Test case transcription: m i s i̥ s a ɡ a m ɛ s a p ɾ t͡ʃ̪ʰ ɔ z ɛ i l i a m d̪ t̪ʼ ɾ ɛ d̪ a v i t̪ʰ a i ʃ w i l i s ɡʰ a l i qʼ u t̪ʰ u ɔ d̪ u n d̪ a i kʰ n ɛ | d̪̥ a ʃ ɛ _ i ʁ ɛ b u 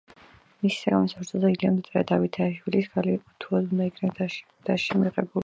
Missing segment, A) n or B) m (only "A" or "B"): B